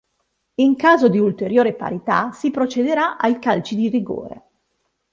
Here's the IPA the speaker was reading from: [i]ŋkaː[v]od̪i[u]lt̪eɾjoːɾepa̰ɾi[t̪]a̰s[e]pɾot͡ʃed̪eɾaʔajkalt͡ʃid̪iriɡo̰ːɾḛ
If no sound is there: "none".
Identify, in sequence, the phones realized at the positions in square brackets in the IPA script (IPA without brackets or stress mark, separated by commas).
i, z, u, t̪, i